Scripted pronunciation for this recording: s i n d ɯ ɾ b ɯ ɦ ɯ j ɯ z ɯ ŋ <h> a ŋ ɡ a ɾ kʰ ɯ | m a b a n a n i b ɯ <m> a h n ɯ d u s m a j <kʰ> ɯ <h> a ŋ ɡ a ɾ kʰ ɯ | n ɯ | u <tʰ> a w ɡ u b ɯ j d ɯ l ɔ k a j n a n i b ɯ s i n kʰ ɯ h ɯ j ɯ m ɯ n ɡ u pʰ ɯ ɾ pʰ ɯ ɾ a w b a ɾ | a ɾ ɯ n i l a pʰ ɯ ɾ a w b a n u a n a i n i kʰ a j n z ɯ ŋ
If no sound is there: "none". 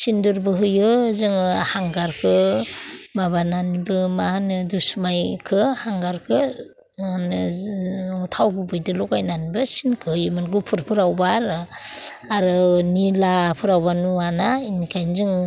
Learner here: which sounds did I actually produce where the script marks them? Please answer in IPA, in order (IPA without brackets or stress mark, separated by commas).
h, m, kʰ, h, tʰ